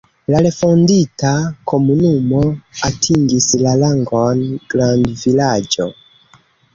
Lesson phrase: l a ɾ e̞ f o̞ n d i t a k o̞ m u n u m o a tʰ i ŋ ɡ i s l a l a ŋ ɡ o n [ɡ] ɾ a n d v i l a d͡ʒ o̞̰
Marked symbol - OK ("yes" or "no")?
yes